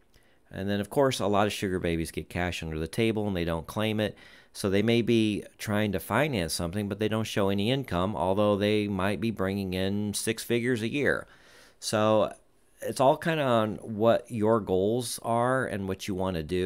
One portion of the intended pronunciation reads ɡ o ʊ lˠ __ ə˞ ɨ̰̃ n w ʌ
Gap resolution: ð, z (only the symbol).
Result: z